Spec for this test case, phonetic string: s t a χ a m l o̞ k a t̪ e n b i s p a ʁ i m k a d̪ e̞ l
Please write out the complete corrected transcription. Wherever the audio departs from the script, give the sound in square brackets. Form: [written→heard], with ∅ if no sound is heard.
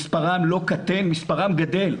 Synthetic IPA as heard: s [t→p] a [χ→ʁ] a m l o̞ k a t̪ e n [b→m] i s p a ʁ [i→a] m [k→ɡ] a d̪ e̞ l